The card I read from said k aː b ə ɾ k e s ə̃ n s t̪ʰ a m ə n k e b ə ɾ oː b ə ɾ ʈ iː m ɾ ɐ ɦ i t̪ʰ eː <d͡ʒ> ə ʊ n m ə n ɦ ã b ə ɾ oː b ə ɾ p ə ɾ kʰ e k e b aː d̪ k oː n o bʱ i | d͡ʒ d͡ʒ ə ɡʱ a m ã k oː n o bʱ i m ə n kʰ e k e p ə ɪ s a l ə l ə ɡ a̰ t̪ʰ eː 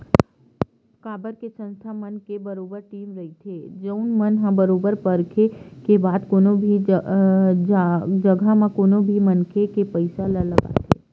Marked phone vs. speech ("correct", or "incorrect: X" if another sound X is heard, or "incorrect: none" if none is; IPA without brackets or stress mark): correct